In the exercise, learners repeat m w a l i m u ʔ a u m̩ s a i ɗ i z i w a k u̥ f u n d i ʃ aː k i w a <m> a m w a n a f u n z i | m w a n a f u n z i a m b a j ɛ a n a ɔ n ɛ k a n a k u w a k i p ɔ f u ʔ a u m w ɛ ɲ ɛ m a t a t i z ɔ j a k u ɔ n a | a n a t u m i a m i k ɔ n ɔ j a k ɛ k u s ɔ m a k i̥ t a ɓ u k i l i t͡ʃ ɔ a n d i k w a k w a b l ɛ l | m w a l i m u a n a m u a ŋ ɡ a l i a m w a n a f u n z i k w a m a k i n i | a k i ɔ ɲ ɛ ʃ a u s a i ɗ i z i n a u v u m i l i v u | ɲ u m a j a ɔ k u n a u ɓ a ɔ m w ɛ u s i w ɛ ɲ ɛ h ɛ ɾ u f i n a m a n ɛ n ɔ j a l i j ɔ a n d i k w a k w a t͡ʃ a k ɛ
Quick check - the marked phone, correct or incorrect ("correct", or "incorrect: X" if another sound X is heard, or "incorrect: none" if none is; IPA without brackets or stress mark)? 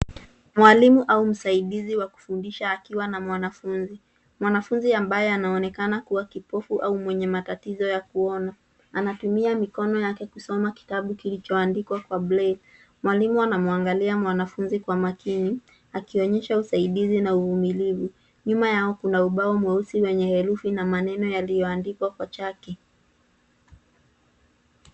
incorrect: n